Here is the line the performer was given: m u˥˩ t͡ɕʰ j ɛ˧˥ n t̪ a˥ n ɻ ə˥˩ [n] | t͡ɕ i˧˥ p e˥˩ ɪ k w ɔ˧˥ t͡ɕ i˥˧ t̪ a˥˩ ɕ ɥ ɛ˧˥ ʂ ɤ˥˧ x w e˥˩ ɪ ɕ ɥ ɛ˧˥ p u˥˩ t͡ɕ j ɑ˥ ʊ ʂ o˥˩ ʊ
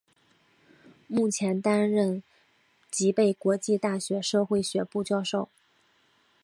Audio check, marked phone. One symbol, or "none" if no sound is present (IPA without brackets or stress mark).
n